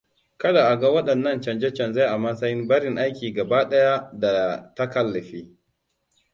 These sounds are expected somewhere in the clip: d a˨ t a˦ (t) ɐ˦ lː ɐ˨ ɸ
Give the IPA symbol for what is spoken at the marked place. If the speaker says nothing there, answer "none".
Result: k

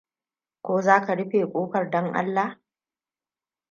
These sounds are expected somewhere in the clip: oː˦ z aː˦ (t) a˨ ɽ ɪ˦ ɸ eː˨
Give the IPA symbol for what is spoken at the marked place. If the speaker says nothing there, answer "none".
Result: k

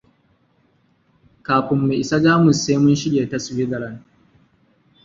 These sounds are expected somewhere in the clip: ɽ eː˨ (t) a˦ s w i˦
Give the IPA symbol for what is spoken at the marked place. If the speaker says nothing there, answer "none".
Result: t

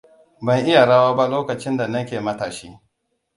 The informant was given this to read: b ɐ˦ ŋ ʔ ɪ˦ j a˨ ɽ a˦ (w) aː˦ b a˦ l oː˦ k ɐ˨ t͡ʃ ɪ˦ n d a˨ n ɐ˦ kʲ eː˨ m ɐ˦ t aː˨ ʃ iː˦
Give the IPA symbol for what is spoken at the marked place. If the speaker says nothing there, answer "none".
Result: w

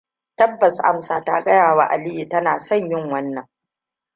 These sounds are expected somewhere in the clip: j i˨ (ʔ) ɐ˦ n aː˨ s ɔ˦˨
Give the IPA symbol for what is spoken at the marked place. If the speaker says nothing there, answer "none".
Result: t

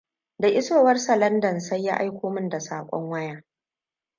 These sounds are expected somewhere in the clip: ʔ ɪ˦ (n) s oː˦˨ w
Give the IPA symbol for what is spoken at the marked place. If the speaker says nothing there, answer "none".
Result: none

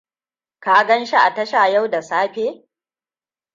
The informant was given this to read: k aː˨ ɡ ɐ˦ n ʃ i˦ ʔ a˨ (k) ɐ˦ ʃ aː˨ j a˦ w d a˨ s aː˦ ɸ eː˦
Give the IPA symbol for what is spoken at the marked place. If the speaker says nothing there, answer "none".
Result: t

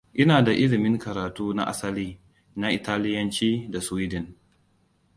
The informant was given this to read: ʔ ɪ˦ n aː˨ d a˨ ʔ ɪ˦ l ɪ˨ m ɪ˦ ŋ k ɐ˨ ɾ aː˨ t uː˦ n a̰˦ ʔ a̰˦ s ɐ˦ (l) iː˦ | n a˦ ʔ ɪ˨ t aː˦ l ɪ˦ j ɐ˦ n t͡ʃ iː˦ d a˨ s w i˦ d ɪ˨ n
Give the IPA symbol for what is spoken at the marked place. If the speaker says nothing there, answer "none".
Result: l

